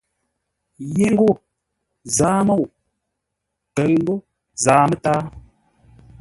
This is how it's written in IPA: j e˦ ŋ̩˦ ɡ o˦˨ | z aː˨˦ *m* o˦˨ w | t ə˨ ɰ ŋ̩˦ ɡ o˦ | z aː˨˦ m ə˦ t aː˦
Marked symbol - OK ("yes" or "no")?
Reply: yes